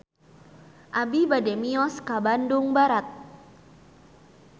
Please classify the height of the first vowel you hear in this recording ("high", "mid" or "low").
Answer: low